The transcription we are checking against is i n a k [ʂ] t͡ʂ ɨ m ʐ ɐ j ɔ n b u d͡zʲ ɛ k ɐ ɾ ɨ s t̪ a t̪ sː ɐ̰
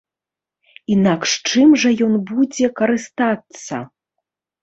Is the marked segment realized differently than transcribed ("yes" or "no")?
no